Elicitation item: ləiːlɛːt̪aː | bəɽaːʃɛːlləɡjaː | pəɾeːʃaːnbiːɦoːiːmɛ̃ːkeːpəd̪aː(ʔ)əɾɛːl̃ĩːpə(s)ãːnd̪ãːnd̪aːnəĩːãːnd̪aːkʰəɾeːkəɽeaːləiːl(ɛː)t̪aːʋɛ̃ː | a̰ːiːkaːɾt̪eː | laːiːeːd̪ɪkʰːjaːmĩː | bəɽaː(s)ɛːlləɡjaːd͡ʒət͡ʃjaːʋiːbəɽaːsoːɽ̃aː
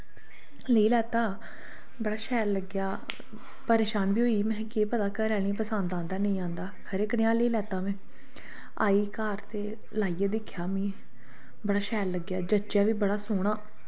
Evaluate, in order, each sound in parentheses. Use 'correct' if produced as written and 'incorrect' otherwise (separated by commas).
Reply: incorrect, correct, correct, incorrect